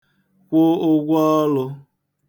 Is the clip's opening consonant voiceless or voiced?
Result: voiceless